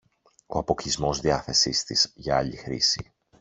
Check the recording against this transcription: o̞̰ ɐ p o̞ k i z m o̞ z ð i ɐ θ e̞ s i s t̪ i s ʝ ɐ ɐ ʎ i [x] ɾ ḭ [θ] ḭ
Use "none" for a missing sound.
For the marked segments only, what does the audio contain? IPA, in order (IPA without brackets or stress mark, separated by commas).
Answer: x, s